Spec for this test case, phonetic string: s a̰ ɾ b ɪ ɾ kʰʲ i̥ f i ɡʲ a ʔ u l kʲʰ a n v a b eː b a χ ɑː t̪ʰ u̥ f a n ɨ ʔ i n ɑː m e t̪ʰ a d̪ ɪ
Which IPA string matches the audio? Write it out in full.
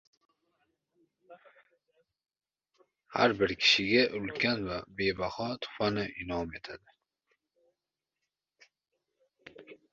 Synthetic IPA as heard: h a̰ ɾ b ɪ ɾ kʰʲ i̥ ʃ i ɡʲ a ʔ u l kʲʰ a n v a b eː b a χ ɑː t̪ʰ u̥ f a n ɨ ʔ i n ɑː m e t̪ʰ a d̪ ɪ